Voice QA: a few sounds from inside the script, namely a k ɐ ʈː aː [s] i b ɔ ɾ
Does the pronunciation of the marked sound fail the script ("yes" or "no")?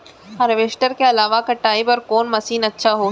yes